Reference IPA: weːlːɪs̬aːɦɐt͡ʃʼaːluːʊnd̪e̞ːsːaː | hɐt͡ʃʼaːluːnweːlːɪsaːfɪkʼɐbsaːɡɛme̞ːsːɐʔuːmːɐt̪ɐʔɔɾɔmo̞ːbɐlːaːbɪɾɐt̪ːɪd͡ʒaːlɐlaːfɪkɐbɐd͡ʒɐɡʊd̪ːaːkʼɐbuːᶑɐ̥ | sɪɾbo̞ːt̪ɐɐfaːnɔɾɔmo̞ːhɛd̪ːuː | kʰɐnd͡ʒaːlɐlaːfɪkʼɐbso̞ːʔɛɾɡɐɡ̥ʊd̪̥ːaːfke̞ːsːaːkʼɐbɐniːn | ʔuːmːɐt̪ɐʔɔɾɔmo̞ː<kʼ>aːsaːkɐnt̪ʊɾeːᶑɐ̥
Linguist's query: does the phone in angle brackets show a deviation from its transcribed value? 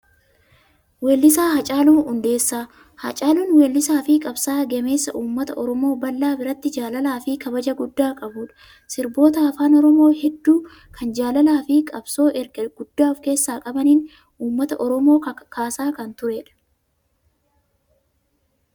yes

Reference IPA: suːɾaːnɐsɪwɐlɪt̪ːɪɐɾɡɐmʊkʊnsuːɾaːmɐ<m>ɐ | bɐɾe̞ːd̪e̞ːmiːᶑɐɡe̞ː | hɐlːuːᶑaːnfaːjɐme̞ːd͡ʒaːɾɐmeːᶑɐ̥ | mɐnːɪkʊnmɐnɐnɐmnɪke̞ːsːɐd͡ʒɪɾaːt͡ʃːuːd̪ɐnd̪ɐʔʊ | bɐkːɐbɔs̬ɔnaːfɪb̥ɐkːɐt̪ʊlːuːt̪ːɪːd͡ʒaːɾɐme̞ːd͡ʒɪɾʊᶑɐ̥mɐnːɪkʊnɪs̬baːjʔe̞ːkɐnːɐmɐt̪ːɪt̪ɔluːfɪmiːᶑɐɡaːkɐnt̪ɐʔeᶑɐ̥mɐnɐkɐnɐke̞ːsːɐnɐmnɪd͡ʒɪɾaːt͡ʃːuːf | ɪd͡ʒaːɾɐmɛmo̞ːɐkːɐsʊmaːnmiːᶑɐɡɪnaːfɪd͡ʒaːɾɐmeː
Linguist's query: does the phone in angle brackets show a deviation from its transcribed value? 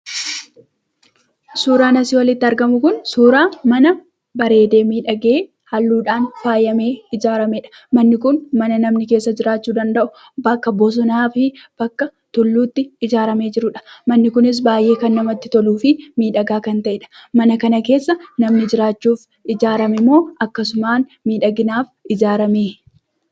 yes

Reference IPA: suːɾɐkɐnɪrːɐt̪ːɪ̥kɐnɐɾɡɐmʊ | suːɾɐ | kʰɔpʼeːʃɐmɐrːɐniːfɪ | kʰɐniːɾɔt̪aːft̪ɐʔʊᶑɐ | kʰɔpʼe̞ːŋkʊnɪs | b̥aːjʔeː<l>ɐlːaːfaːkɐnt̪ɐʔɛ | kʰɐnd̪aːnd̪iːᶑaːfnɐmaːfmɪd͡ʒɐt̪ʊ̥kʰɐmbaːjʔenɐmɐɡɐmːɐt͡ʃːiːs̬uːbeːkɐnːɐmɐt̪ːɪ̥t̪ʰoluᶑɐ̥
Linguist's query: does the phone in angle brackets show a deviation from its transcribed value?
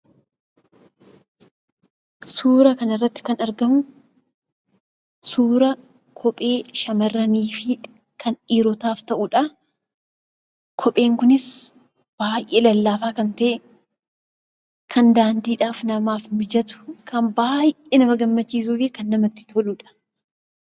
no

